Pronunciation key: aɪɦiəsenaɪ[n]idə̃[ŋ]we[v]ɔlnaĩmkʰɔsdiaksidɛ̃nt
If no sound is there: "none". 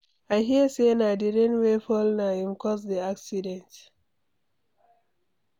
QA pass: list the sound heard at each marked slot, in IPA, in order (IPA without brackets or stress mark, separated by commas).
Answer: d, n, f